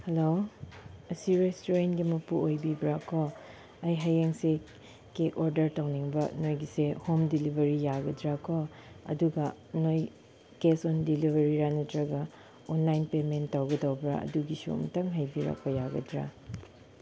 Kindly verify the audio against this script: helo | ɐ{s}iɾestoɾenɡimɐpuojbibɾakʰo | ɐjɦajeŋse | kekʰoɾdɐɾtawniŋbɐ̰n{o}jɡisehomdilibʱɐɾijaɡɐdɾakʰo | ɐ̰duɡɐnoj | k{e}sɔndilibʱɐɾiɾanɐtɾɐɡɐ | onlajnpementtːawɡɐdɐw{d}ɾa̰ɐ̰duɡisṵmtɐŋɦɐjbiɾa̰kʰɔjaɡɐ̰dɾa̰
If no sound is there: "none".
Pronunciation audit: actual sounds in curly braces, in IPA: s, o, e, b

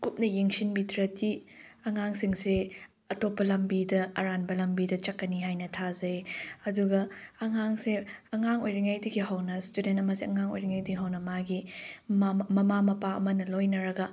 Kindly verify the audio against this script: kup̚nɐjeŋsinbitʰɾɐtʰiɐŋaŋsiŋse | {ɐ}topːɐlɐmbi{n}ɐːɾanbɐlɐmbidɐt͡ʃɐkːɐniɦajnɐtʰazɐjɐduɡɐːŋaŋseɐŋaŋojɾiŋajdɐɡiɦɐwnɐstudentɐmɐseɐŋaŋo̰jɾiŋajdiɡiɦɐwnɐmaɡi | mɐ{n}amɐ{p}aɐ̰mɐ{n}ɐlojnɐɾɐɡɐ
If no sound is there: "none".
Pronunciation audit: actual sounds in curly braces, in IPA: ɐ, d, m, p, n

